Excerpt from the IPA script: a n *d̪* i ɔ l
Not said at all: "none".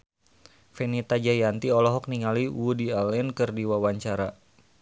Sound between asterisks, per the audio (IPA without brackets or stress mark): t̪